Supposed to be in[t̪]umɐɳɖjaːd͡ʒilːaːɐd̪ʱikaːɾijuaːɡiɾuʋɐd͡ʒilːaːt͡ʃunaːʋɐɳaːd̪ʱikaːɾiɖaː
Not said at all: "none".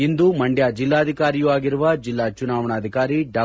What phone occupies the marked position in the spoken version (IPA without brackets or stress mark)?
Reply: d̪